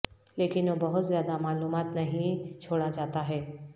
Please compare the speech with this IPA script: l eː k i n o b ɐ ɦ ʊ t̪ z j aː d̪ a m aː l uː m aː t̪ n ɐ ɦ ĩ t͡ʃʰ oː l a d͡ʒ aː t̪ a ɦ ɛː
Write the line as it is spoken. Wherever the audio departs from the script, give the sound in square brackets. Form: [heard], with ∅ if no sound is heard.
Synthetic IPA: l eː k [ɪ] n o b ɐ ɦ ʊ t̪ z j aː d̪ a m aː l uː m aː t̪ n ɐ ɦ ĩ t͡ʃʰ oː [ɽ] a d͡ʒ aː t̪ a ɦ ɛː